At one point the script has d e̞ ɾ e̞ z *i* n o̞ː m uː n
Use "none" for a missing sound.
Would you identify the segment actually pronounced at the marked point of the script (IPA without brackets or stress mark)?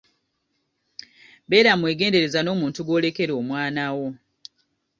a